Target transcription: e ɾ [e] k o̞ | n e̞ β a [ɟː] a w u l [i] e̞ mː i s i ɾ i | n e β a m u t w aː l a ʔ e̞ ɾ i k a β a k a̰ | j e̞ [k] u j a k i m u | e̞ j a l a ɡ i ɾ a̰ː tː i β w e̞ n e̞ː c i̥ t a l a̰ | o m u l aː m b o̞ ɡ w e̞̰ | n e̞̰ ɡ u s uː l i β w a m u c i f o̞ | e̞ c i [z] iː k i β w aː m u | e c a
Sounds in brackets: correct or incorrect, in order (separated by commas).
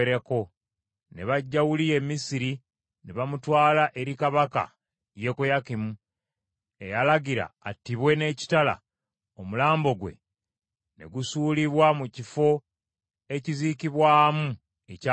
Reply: correct, correct, correct, correct, correct